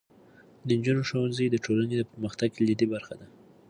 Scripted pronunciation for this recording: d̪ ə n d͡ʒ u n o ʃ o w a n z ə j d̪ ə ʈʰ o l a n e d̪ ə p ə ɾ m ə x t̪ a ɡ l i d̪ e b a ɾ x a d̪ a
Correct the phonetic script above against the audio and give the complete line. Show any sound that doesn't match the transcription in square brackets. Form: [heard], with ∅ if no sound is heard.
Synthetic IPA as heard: d̪ ə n d͡ʒ u n o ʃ o w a n z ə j d̪ ə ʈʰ o l a n e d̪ ə p ə ɾ m ə x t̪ a ɡ l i d̪ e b a ɾ x a d̪ a